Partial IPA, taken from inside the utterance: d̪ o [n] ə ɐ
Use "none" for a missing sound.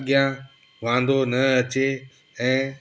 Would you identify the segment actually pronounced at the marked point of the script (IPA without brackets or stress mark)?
n